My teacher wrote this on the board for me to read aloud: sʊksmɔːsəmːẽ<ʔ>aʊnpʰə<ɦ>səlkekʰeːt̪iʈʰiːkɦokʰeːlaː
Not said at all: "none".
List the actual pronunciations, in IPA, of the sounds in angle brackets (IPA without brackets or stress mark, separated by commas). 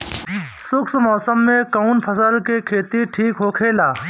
k, none